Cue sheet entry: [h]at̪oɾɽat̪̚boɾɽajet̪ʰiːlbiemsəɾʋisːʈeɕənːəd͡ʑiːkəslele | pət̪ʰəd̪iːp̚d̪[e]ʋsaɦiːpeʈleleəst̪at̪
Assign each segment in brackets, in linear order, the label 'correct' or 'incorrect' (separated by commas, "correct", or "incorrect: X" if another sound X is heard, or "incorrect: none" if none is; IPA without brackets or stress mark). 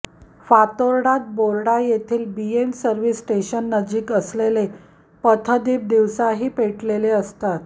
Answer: incorrect: f, incorrect: i